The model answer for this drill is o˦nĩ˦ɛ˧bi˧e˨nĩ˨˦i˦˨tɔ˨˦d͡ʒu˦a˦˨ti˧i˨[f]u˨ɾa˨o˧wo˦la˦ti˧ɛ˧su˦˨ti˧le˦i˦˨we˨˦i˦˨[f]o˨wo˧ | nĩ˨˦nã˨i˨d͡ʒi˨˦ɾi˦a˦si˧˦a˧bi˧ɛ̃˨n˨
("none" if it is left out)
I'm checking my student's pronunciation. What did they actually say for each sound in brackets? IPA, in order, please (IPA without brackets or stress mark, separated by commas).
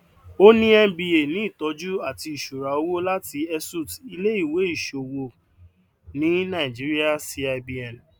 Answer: ʃ, ʃ